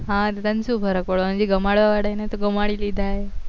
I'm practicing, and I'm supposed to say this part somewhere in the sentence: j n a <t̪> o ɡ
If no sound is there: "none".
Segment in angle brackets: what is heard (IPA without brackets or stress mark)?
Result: t̪